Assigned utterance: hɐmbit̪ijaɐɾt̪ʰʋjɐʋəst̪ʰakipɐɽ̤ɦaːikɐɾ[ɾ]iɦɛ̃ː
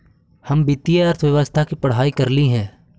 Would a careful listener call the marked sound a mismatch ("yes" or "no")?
yes